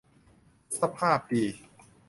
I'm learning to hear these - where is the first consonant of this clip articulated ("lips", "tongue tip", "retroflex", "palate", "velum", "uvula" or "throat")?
tongue tip